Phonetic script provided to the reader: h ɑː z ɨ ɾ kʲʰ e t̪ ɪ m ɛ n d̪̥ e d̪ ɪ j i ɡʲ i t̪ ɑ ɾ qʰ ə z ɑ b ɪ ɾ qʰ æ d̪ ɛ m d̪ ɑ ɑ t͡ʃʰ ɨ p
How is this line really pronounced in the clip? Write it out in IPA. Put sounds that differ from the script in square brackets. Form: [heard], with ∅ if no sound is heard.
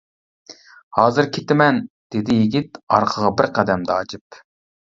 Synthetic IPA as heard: h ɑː z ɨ ɾ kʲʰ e t̪ ɪ m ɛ n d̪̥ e d̪ ɪ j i ɡʲ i t̪ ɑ ɾ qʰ ə [ʁ] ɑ b ɪ ɾ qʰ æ d̪ ɛ m d̪ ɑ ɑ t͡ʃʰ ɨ p